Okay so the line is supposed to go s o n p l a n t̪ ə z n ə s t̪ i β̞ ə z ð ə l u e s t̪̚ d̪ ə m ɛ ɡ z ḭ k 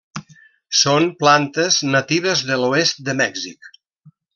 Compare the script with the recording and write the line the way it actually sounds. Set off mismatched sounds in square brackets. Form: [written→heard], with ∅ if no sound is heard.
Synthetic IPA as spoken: s o n p l a n t̪ ə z n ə [s→∅] t̪ i β̞ ə z ð ə l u e s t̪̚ d̪ ə m ɛ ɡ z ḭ k